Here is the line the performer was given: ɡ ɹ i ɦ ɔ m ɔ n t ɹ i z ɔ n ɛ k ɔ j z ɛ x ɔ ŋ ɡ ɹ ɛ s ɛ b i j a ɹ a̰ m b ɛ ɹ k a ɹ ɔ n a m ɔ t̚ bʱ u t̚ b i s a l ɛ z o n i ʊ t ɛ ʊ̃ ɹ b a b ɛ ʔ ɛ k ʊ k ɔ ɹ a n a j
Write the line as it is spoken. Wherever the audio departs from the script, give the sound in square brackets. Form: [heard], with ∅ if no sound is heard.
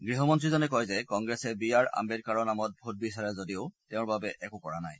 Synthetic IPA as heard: ɡ ɹ i ɦ ɔ m ɔ n t ɹ i z ɔ n ɛ k ɔ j z ɛ [k] ɔ ŋ ɡ ɹ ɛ s ɛ b i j a ɹ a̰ m b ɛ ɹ k a ɹ ɔ n a m ɔ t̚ bʱ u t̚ b i s a [ɹ] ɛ z o [d] i ʊ t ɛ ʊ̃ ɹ b a b ɛ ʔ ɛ k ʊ k ɔ ɹ a n a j